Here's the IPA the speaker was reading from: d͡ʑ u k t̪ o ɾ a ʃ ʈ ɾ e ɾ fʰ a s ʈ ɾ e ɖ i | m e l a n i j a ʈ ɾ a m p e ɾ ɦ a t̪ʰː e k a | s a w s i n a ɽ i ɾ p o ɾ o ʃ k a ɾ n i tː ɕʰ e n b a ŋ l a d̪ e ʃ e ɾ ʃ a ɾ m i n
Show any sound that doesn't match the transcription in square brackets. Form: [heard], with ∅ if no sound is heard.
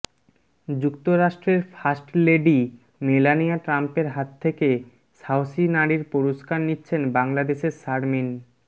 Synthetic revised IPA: d͡ʑ u k t̪ o ɾ a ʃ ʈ ɾ e ɾ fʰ a s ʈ [l] e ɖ i | m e l a n i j a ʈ ɾ a m p e ɾ ɦ a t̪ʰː e k [e] | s a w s i n a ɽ i ɾ p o ɾ o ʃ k a ɾ n i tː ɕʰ e n b a ŋ l a d̪ e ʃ e ɾ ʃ a ɾ m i n